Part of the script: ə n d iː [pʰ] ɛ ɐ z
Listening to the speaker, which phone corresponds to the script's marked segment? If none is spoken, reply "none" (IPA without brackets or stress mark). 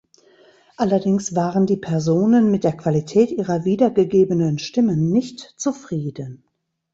pʰ